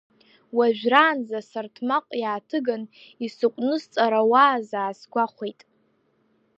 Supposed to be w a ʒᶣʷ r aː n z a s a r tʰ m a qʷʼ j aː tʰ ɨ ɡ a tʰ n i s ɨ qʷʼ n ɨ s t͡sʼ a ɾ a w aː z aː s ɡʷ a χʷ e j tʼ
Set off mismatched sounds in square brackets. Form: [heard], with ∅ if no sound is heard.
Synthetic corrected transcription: w a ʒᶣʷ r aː n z a s a r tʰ m a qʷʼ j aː tʰ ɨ ɡ a [∅] n i s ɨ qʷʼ n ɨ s t͡sʼ a ɾ a w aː z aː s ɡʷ a χʷ e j tʼ